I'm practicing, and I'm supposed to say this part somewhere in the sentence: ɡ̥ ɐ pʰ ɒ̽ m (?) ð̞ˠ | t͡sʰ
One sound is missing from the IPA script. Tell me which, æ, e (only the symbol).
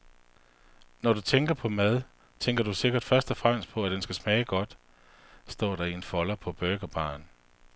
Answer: æ